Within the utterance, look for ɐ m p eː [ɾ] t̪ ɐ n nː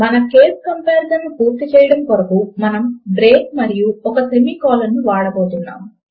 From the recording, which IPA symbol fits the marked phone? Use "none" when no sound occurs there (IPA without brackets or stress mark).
ɾ